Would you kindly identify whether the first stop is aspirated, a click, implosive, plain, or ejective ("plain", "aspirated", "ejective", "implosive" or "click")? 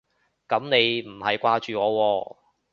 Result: plain